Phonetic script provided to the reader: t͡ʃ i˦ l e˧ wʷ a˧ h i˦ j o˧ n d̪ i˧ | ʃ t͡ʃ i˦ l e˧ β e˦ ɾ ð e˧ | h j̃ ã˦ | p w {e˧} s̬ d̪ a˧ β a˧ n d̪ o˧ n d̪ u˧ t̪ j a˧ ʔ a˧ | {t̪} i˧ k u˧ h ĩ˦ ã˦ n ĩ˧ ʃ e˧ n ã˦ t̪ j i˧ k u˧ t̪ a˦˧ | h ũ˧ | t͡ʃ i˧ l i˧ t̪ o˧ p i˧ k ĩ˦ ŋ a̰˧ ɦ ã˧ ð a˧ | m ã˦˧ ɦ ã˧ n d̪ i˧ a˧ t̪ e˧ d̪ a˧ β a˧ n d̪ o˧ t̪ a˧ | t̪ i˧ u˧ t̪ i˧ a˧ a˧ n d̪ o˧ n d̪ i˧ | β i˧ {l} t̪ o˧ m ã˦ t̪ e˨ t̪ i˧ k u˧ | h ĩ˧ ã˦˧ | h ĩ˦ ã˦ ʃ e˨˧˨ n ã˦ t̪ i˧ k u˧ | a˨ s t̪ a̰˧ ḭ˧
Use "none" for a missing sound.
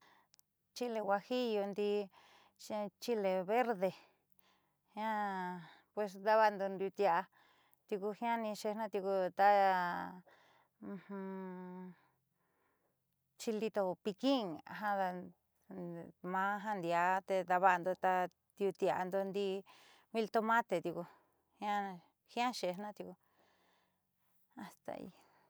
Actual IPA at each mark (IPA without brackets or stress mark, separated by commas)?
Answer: e˧, t̪, l